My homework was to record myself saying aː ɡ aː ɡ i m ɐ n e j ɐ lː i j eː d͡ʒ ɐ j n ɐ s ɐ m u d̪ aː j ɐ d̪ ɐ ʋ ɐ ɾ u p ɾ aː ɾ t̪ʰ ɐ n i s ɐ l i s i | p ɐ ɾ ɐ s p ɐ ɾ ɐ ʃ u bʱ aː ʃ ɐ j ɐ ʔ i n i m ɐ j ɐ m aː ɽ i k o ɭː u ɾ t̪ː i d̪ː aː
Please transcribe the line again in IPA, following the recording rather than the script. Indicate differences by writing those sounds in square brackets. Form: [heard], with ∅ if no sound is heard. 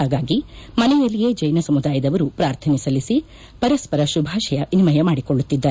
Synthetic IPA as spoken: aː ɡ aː ɡ i m ɐ n [ɛ] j ɐ lː i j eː d͡ʒ ɐ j n ɐ s ɐ m u d̪ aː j ɐ d̪ ɐ ʋ ɐ ɾ u p ɾ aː ɾ t̪ʰ ɐ n i s ɐ l i s i | p ɐ ɾ ɐ s p ɐ ɾ ɐ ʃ u bʱ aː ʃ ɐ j ɐ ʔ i n i m ɐ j ɐ m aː ɽ i k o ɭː u [∅] t̪ː i d̪ː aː